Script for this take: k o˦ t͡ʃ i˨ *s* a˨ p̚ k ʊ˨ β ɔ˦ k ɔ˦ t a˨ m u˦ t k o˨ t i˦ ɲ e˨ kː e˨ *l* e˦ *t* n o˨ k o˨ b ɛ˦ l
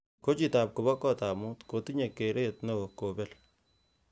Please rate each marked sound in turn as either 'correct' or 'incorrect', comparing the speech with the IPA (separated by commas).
incorrect, incorrect, correct